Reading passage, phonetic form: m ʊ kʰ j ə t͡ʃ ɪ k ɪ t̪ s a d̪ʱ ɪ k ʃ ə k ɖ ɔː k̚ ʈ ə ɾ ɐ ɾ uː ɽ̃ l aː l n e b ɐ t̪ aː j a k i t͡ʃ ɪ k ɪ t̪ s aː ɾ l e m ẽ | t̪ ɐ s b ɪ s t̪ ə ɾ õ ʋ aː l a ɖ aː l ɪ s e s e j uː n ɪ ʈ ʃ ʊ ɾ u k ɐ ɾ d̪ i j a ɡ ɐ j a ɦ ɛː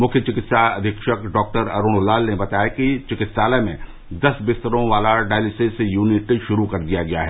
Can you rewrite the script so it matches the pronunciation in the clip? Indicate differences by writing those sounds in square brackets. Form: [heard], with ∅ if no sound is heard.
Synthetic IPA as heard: m ʊ kʰ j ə t͡ʃ ɪ k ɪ t̪ s a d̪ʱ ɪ k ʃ ə k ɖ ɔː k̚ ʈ ə ɾ ɐ ɾ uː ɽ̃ l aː l n e b ɐ t̪ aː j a k i t͡ʃ ɪ k ɪ t̪ s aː [∅] l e m ẽ | [d̪] ɐ s b ɪ s t̪ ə ɾ õ ʋ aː l a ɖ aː l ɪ s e s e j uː n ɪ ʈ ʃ ʊ ɾ u k ɐ ɾ d̪ i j a ɡ ɐ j a ɦ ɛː